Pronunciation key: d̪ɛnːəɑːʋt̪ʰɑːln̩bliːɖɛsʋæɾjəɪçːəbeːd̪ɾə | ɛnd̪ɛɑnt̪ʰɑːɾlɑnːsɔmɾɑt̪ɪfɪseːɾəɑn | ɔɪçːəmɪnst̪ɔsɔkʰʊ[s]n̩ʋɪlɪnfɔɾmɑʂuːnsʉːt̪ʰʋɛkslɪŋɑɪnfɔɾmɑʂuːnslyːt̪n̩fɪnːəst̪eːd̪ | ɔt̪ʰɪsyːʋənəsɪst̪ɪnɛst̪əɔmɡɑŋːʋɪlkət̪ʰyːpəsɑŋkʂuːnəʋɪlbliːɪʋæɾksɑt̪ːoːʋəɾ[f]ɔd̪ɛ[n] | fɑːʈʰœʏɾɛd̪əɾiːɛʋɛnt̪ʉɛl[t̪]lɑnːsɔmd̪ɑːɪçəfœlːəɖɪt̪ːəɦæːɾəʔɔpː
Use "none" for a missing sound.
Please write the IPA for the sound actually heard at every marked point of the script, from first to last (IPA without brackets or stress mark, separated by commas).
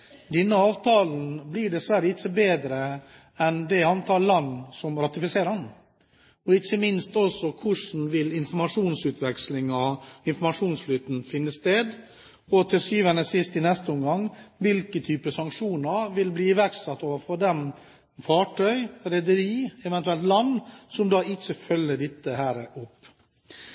ʂ, f, m, t̪